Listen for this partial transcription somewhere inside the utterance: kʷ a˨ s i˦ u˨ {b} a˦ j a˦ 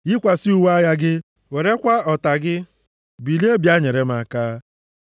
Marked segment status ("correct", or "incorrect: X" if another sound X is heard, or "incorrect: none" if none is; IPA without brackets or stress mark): incorrect: w